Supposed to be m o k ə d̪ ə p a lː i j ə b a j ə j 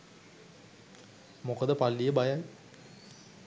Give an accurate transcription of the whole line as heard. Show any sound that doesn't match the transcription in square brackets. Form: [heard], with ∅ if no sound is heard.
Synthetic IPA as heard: m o k ə d̪ ə p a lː i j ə b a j [a] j